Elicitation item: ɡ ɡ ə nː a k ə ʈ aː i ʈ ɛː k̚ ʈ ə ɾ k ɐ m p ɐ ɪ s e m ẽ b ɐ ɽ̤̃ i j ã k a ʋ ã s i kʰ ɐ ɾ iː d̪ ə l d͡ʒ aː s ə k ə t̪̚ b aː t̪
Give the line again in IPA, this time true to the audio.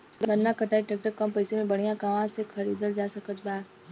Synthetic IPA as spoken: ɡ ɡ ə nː a k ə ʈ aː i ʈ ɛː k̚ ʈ ə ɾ k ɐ m p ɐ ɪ s e m ẽ b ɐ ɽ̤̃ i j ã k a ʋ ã s e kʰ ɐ ɾ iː d̪ ə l d͡ʒ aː s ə k ə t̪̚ b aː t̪